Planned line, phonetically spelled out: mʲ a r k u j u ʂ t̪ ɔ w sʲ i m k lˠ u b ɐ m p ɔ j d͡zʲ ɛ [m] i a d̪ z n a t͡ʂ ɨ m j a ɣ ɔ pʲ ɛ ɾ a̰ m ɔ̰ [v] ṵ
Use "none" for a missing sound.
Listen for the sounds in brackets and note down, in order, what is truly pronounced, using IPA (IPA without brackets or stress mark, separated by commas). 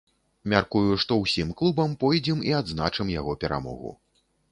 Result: m, ɣ